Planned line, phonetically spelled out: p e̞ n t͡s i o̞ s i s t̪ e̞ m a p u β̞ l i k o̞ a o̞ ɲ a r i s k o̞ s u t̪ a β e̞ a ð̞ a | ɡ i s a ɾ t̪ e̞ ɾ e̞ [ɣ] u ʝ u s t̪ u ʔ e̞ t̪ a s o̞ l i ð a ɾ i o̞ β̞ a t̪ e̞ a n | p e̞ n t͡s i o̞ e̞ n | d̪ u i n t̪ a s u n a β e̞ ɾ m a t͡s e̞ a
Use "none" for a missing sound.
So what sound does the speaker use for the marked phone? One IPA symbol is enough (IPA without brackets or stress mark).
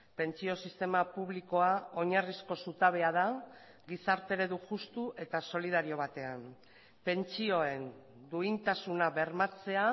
ð